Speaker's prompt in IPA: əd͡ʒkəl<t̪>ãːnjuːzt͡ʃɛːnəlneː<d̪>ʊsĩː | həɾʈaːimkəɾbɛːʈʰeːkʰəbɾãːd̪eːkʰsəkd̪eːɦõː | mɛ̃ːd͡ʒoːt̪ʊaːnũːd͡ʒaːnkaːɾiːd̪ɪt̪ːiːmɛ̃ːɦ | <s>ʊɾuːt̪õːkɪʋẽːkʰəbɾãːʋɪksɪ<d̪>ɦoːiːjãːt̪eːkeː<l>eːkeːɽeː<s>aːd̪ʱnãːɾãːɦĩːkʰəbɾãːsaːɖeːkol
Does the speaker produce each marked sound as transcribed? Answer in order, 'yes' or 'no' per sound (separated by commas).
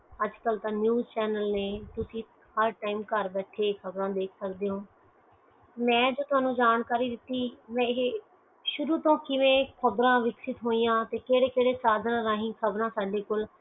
yes, no, no, no, no, yes